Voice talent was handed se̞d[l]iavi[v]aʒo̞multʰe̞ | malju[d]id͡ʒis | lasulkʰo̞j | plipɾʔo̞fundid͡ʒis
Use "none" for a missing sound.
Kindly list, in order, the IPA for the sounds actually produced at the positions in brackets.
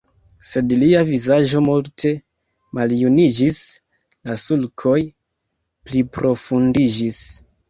l, z, n

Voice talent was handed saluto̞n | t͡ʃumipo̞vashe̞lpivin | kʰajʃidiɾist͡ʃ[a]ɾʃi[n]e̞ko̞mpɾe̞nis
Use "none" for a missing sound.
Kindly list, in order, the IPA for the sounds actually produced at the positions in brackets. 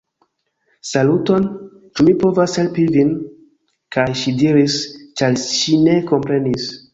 a, n

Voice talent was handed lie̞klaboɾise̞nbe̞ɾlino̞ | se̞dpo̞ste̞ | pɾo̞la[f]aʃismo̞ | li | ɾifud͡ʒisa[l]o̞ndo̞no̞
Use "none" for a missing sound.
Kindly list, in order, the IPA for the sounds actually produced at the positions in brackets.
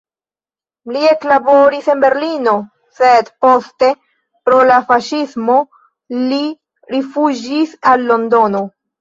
f, lː

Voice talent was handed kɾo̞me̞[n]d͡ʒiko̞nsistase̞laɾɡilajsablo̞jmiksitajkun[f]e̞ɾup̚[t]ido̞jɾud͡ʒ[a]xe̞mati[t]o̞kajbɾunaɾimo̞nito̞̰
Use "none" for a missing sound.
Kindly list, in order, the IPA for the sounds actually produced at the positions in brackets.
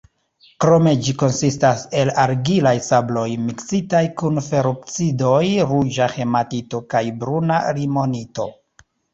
none, f, t͡s, a, t

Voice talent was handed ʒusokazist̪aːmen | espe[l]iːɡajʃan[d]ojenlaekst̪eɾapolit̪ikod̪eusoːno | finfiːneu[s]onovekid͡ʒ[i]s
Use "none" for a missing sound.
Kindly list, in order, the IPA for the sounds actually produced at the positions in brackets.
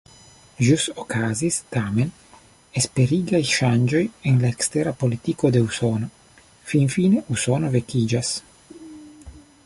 ɾ, d͡ʒ, s, a

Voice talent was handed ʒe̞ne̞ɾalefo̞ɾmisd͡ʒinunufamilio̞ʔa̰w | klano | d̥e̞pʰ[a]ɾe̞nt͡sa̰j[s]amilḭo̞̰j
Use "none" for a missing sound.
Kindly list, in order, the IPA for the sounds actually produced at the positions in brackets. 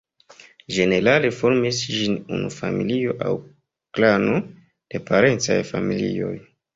a, f

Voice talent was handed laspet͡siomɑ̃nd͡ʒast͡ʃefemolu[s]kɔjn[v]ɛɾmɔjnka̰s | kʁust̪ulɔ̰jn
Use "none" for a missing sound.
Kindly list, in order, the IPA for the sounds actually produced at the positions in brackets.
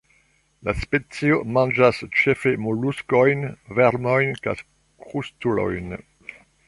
s, v

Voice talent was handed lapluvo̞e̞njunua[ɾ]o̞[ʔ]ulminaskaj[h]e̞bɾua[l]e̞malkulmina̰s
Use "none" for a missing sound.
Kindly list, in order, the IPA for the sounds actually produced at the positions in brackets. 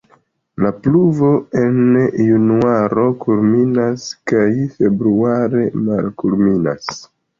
ɾ, k, f, ɾ

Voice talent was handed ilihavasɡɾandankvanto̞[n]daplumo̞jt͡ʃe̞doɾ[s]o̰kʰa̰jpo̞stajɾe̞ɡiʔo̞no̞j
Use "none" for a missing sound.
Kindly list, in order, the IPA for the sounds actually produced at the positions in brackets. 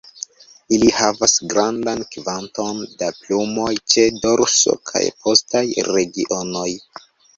n, s

